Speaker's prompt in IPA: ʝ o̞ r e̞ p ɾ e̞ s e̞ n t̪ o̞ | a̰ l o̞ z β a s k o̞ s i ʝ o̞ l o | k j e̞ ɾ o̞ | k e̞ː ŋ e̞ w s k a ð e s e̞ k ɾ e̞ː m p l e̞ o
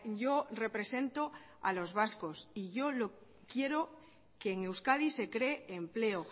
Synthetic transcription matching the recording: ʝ o̞ r e̞ p ɾ e̞ s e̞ n t̪ o̞ | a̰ l o̞ z β a s k o̞ s i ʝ o̞ l o | k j e̞ ɾ o̞ | k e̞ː ŋ e̞ w s k a ð i s e̞ k ɾ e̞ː m p l e̞ o